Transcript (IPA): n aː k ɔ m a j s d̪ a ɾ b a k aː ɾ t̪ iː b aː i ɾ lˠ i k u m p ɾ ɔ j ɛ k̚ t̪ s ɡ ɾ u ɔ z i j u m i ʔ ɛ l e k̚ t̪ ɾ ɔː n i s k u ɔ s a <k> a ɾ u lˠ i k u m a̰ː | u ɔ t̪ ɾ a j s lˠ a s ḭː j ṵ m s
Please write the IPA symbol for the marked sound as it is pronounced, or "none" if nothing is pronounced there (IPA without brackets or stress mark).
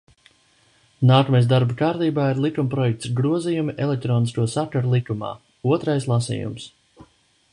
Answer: k